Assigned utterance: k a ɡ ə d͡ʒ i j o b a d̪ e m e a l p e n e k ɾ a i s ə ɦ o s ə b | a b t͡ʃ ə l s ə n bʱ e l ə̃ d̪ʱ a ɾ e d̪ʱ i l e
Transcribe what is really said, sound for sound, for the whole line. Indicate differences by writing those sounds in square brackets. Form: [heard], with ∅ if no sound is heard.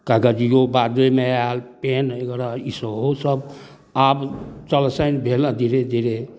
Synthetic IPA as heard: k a ɡ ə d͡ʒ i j o b a d̪ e m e a l p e n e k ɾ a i s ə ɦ o s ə b | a b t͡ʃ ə l s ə n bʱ e l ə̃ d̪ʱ [i] ɾ e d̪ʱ i [ɾ] e